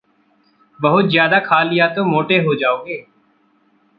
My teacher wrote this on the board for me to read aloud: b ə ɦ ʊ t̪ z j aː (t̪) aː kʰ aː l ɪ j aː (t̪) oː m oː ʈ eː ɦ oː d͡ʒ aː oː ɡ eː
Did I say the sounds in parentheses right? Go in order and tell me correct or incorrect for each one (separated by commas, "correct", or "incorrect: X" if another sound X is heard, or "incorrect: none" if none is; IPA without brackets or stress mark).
incorrect: d̪, correct